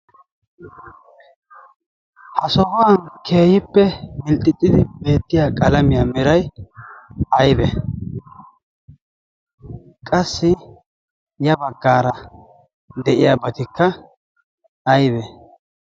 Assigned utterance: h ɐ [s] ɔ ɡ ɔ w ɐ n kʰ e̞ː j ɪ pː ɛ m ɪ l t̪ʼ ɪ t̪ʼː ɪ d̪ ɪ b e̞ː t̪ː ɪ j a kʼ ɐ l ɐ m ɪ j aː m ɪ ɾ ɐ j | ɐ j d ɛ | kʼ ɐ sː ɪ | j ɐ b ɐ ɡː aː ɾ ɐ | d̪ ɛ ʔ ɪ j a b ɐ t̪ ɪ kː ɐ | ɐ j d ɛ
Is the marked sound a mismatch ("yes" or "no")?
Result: no